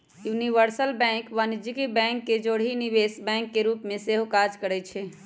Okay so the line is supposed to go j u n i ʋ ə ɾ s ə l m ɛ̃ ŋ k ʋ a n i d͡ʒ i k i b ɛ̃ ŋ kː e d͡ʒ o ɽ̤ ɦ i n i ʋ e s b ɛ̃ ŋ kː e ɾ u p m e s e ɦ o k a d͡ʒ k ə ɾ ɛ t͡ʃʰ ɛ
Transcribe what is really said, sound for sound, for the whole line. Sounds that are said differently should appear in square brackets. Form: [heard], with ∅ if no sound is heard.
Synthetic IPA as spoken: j u n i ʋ ə ɾ s ə l [b] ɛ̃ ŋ k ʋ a n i d͡ʒ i k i b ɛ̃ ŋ kː e d͡ʒ o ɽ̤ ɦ i n i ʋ e s b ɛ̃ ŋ kː e ɾ u p m e s e ɦ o k a d͡ʒ k ə ɾ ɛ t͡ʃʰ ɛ